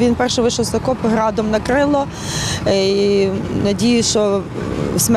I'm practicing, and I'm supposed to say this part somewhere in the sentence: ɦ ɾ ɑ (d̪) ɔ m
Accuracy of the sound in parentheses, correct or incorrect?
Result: correct